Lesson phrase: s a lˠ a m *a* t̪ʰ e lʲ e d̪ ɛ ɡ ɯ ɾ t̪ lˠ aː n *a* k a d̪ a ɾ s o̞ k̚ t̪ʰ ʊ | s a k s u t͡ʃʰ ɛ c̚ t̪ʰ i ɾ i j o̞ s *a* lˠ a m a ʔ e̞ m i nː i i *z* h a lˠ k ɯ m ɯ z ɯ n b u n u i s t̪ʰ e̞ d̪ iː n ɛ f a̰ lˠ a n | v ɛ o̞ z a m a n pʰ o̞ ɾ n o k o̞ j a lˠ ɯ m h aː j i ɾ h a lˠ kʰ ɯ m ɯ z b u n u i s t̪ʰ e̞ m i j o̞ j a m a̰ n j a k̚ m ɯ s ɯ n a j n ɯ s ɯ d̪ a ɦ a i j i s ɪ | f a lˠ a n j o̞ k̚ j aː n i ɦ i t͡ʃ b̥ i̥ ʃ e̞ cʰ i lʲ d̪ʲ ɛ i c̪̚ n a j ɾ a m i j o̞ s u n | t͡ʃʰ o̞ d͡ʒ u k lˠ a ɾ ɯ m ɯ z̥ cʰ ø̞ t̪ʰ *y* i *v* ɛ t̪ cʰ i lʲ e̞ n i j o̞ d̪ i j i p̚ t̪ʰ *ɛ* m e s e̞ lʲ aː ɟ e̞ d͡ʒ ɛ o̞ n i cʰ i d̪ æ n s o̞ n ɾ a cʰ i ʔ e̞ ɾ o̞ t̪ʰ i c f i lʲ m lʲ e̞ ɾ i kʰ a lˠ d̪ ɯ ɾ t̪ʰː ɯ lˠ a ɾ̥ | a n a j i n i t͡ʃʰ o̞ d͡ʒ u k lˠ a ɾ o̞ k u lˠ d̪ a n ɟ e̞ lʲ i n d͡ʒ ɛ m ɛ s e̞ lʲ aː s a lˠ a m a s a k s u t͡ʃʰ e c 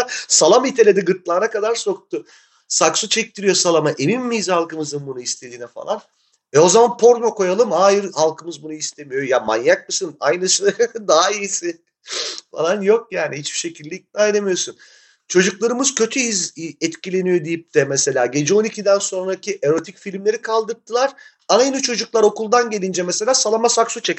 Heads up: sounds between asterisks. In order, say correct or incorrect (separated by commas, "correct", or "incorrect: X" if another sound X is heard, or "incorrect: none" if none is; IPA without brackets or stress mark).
incorrect: i, correct, correct, correct, correct, incorrect: z, correct